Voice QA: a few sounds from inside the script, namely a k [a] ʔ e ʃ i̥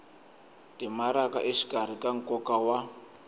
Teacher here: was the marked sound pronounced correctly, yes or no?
yes